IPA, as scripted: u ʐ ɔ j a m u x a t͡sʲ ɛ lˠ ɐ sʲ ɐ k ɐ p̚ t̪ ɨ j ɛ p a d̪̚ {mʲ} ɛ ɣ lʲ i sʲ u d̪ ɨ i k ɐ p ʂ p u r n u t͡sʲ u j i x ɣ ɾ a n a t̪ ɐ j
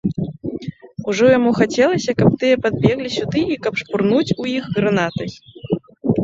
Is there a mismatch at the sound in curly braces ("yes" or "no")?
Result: yes